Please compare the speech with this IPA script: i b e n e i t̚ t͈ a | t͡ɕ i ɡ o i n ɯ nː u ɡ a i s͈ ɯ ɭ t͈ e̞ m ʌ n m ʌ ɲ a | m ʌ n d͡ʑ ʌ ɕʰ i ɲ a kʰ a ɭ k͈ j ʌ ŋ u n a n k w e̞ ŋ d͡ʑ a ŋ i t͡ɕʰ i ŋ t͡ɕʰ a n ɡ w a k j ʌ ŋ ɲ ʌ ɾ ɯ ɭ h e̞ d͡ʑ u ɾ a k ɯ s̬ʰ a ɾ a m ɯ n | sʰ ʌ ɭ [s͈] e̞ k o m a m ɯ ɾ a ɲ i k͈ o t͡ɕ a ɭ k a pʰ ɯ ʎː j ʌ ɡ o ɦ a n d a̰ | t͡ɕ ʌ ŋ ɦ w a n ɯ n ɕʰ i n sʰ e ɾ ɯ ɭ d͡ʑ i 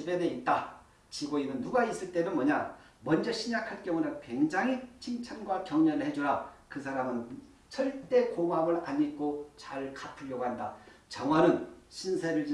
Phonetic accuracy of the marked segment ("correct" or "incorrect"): incorrect